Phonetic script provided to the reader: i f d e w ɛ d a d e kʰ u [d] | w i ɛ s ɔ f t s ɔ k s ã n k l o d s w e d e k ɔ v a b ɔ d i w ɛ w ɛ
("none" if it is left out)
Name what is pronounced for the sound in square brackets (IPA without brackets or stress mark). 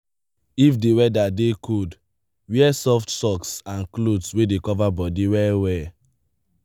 d